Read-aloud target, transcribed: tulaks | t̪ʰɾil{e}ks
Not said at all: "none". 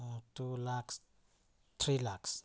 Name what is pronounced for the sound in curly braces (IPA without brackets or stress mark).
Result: a